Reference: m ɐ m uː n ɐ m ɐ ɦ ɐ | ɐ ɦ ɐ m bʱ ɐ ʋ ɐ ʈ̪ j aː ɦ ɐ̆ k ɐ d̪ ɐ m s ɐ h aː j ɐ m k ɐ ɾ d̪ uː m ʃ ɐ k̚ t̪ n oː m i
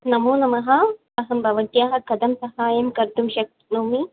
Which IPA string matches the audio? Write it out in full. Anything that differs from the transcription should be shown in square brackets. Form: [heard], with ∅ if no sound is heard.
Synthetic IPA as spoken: [n] ɐ m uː n ɐ m ɐ ɦ ɐ | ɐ ɦ ɐ m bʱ ɐ ʋ ɐ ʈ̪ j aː ɦ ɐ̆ k ɐ d̪ ɐ m s ɐ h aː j ɐ m k ɐ ɾ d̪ [u] m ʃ ɐ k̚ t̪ n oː m i